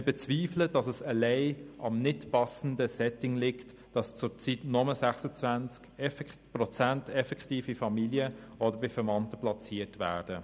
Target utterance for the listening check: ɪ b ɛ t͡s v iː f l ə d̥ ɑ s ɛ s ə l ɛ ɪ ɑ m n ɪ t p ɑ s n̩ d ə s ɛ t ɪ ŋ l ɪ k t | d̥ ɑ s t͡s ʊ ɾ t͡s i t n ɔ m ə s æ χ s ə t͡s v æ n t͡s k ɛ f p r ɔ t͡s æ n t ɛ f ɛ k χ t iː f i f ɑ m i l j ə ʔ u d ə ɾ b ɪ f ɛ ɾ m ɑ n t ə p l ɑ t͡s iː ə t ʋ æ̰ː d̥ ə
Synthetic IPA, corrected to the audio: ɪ b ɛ t͡s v iː f l ə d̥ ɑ s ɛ s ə l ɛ ɪ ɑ m n ɪ t p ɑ s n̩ d ə s ɛ t ɪ ŋ l ɪ k t | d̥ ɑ s t͡s ʊ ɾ t͡s i t n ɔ m ə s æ χ s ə t͡s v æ n t͡s k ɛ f p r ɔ t͡s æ n t ɛ f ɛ k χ t iː f i f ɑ m i l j ə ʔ ɔ d ə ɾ b ɪ f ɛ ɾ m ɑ n t ə p l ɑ t͡s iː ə t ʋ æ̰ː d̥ ə